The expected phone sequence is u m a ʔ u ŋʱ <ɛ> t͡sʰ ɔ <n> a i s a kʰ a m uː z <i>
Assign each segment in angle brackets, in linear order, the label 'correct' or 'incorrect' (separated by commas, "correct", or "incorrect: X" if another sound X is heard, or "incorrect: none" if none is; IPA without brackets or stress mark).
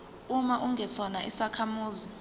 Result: correct, correct, correct